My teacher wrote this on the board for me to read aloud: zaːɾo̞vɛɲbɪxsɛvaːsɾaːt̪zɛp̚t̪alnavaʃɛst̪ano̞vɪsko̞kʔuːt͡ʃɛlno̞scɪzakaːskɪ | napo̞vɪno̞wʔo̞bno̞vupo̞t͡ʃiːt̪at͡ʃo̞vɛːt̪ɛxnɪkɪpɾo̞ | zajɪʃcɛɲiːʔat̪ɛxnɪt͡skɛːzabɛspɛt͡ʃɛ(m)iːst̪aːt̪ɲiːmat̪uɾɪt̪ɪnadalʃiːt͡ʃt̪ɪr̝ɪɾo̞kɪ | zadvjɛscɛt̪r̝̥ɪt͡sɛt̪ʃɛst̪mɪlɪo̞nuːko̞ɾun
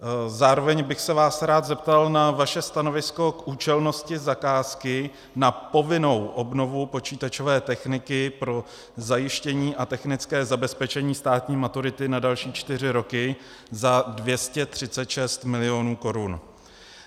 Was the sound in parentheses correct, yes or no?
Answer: no